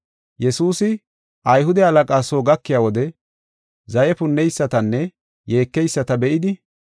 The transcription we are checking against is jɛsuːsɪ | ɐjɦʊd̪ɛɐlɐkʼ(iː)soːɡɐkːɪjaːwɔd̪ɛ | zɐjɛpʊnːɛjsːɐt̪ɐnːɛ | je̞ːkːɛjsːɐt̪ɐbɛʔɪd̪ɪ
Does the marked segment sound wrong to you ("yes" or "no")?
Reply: yes